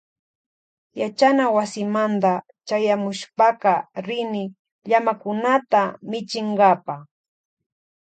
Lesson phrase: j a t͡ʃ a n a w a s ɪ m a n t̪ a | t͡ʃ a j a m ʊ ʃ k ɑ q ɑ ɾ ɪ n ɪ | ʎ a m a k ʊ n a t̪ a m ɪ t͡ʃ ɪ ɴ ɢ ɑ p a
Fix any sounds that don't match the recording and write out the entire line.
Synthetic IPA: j a t͡ʃ a n a w a s ɪ m a n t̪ a | t͡ʃ a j a m ʊ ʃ p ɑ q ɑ ɾ ɪ n ɪ | ʎ a m a k ʊ n a t̪ a m ɪ t͡ʃ ɪ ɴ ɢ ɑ p a